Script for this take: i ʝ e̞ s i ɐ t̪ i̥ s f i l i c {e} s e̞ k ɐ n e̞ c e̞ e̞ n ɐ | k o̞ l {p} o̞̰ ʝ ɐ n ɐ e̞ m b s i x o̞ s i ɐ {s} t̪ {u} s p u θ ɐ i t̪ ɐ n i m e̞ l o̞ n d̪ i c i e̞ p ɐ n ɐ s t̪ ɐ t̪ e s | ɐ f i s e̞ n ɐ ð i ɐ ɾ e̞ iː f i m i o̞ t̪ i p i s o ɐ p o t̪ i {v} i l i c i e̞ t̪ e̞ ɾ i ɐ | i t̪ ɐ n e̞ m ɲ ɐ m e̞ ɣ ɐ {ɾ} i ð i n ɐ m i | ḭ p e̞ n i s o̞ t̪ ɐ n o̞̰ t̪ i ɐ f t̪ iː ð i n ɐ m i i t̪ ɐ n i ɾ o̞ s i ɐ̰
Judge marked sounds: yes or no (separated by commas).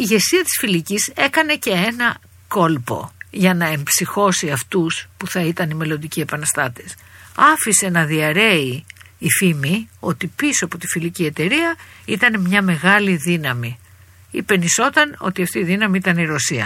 no, yes, no, yes, no, no